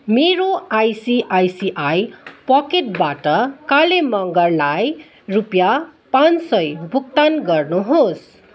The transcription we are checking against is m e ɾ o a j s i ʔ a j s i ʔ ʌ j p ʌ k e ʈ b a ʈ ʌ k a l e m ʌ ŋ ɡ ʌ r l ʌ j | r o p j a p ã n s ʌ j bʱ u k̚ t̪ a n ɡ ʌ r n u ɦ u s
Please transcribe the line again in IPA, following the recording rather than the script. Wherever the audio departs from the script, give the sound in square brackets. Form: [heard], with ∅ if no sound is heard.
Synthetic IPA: m e ɾ o a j s i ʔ a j s i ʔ [a] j p ʌ k e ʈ b a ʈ ʌ k a l e m ʌ ŋ ɡ ʌ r l [a] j | r [u] p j a p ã n s ʌ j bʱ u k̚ t̪ a n ɡ ʌ r n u ɦ [o] s